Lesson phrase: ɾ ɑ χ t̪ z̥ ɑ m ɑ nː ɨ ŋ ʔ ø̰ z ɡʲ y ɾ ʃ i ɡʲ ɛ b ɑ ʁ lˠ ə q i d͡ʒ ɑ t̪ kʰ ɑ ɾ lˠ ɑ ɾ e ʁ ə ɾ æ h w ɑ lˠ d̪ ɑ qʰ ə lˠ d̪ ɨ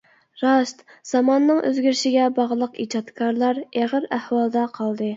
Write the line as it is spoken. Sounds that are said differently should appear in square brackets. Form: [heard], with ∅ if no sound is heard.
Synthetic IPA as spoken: ɾ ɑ [ʃ] t̪ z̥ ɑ m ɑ nː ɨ ŋ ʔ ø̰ z ɡʲ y ɾ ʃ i ɡʲ ɛ b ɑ ʁ lˠ ə q i d͡ʒ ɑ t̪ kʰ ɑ ɾ lˠ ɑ ɾ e ʁ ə ɾ æ h w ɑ lˠ d̪ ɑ qʰ [ɑ] lˠ d̪ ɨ